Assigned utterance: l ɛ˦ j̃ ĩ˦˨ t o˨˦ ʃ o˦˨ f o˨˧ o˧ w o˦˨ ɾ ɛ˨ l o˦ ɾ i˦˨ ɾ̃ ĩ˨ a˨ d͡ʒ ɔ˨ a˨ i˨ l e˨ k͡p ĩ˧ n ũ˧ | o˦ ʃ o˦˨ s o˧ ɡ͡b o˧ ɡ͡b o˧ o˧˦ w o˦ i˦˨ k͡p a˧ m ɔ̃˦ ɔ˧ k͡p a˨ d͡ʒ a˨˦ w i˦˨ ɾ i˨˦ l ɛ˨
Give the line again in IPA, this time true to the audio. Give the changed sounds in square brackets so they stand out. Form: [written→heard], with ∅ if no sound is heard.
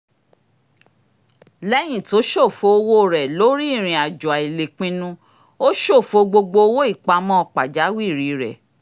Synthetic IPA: l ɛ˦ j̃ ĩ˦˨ t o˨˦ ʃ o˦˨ f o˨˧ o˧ w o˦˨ ɾ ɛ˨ l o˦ ɾ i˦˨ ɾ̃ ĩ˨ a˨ d͡ʒ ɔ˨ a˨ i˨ l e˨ k͡p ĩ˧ n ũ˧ | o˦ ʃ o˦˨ [s→f] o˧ ɡ͡b o˧ ɡ͡b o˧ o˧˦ w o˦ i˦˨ k͡p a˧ m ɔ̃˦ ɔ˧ k͡p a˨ d͡ʒ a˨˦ w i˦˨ ɾ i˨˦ [l→ɾ] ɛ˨

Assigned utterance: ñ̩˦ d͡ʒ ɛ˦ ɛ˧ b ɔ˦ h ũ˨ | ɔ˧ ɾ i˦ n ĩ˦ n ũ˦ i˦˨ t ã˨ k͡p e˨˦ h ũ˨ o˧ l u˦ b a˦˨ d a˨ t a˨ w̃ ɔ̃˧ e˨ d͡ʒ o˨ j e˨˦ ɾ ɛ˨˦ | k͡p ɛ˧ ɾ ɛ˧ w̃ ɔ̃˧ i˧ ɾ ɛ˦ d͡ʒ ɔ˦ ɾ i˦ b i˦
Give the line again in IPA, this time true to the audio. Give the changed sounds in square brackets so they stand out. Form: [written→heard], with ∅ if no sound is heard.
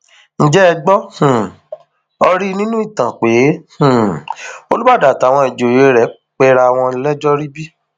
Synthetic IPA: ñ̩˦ d͡ʒ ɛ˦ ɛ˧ [b→ɡ͡b] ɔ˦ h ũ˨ | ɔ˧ ɾ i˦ n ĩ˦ n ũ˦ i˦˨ t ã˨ k͡p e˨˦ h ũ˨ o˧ l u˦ b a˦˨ d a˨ t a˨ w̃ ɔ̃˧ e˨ d͡ʒ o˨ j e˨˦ ɾ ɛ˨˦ | k͡p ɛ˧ ɾ [ɛ˧→a˧] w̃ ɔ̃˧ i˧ [ɾ→l] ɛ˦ d͡ʒ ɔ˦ ɾ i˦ b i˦

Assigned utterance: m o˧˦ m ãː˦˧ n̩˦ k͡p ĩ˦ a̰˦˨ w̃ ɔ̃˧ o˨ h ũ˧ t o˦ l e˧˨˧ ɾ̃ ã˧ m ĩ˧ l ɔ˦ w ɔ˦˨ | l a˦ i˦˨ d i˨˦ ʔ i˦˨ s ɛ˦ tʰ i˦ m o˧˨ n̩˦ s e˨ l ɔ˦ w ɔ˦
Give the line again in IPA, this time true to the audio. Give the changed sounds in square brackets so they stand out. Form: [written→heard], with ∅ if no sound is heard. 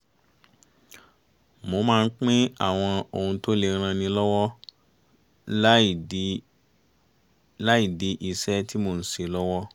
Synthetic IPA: m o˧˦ m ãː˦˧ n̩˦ k͡p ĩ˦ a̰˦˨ w̃ ɔ̃˧ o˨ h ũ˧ t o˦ l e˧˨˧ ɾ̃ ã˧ [m→n] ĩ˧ l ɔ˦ w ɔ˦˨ | l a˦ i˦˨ d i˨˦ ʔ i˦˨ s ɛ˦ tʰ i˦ m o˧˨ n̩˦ s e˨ l ɔ˦ w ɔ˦

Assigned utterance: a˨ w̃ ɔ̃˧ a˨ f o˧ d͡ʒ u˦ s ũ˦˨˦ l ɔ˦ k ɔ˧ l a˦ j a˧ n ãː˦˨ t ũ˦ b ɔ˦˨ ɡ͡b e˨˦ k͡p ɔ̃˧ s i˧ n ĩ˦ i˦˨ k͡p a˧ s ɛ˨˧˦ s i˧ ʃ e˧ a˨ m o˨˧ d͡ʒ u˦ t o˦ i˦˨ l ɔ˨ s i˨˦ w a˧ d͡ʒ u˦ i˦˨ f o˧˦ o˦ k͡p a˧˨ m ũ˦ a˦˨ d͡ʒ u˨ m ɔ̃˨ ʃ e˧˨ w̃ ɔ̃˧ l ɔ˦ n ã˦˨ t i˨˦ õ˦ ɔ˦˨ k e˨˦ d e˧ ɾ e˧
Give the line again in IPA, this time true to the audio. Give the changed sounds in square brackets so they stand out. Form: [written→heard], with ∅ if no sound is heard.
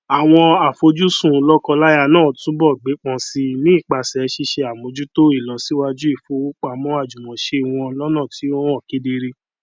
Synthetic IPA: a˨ w̃ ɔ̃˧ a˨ f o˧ d͡ʒ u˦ s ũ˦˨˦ l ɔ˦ k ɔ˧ l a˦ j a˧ n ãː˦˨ t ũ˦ b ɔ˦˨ ɡ͡b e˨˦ k͡p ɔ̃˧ s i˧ n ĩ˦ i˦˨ k͡p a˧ s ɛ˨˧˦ [s→ʃ] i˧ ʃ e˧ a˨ m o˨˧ d͡ʒ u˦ t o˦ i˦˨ l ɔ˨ s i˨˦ w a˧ d͡ʒ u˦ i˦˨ f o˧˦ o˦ k͡p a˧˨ m [ũ˦→ɔ̃˦] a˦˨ d͡ʒ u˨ m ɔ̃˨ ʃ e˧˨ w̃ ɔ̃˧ l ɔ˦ n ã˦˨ t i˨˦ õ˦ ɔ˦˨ k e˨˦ d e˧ ɾ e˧

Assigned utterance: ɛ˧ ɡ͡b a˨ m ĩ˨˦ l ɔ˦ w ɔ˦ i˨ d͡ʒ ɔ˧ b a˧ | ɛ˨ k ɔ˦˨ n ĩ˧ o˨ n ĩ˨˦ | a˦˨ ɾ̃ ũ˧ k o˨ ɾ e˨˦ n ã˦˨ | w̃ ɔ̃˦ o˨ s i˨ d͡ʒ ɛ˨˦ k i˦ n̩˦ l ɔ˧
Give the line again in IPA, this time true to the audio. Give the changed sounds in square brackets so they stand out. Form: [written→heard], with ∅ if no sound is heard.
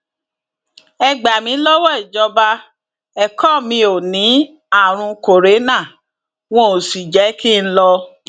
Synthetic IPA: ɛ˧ ɡ͡b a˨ m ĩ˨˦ l ɔ˦ w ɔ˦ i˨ d͡ʒ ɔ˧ b a˧ | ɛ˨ k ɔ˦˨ [n→m] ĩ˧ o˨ n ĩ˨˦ | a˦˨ ɾ̃ ũ˧ k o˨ ɾ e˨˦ n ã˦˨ | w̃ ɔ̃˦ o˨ s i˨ d͡ʒ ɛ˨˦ k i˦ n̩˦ l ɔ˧

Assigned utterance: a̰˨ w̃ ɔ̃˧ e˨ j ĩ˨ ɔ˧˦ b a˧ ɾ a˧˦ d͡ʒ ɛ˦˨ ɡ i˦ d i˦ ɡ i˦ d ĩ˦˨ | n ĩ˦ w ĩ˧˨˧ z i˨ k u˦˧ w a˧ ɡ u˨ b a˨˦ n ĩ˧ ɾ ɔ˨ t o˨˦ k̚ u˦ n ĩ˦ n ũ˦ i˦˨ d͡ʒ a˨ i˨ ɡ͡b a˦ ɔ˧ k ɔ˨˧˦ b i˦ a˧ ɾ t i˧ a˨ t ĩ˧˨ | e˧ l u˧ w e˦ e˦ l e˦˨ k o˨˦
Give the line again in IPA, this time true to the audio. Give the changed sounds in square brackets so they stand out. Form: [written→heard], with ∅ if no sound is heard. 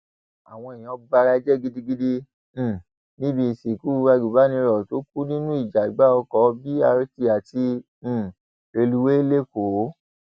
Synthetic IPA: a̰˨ w̃ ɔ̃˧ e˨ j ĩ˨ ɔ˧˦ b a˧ ɾ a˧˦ d͡ʒ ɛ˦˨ ɡ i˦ d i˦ ɡ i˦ d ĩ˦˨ | n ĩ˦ [w→b] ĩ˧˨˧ [z→s] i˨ k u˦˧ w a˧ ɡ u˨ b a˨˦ n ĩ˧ ɾ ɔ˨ t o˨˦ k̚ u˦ n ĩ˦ n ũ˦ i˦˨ d͡ʒ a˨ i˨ ɡ͡b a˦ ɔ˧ k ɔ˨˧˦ b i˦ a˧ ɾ t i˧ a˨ t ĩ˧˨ | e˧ l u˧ w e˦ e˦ l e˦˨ k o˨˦

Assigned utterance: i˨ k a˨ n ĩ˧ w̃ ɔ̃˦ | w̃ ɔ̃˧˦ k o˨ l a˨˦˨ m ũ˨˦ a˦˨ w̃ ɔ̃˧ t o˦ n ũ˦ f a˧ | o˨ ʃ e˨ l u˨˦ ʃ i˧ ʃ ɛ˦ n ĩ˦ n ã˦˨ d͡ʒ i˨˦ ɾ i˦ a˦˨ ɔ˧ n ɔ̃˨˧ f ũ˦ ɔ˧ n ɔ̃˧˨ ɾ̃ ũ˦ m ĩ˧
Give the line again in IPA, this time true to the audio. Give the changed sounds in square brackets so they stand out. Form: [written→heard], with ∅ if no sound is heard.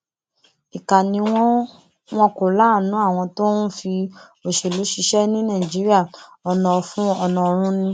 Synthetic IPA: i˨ k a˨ n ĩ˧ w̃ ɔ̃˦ | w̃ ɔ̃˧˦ k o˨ l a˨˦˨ [m→n] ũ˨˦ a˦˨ w̃ ɔ̃˧ t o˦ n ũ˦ f [a˧→i˧] | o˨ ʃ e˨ l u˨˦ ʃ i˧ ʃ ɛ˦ n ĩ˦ n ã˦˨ d͡ʒ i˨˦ ɾ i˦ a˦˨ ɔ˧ n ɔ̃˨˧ f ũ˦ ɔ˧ n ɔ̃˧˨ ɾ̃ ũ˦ [m→n] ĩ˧

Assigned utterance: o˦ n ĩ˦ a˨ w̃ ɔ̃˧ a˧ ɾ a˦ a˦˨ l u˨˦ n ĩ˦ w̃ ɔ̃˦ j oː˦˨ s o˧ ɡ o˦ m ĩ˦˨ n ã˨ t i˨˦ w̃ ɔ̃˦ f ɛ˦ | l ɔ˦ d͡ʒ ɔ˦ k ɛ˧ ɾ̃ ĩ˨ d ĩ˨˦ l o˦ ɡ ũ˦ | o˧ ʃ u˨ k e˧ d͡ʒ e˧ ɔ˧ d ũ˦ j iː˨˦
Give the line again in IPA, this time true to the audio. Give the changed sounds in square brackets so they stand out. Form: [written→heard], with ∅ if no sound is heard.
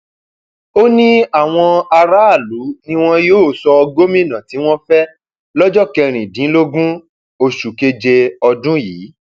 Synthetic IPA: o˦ n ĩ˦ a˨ w̃ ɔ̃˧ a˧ ɾ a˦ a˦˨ l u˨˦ n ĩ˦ w̃ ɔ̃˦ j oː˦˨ s [o˧→ɔ˧] ɡ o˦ m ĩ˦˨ n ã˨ t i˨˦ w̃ ɔ̃˦ f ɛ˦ | l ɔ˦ d͡ʒ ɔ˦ k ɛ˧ ɾ̃ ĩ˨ d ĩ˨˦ l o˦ ɡ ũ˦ | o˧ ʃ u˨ k e˧ d͡ʒ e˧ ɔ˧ d ũ˦ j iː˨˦

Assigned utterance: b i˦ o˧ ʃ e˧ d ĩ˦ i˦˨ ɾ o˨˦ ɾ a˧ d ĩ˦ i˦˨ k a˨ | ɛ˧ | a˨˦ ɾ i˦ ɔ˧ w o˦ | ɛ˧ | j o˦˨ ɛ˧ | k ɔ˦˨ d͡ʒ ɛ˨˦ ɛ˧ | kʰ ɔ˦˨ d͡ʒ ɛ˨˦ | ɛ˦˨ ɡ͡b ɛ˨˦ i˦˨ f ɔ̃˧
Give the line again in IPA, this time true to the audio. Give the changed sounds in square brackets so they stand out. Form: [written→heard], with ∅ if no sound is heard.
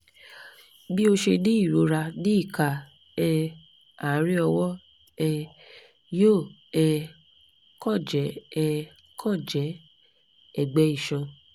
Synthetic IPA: b i˦ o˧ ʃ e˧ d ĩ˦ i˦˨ ɾ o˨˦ ɾ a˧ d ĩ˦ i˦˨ k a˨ | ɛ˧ | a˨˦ ɾ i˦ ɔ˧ w [o˦→ɔ˦] | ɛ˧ | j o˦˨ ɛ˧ | k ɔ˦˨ d͡ʒ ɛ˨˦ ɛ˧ | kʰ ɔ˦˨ d͡ʒ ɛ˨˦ | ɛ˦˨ ɡ͡b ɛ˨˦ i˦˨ [f→ʃ] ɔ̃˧

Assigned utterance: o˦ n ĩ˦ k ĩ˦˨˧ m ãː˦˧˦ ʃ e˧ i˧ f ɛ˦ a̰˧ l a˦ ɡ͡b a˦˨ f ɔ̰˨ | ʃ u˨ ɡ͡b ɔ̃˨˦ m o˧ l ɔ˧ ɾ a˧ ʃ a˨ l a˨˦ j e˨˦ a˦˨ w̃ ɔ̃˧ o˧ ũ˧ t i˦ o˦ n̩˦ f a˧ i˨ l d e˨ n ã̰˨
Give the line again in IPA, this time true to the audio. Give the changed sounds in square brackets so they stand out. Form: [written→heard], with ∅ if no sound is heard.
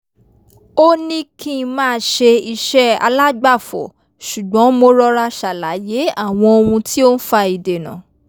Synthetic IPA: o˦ n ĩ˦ k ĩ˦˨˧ m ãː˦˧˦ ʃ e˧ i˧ [f→ʃ] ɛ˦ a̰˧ l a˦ ɡ͡b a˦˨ f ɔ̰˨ | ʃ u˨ ɡ͡b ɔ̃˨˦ m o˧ [l→ɾ] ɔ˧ ɾ a˧ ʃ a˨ l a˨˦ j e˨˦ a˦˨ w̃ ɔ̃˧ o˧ ũ˧ t i˦ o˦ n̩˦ f a˧ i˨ [l→∅] d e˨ n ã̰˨

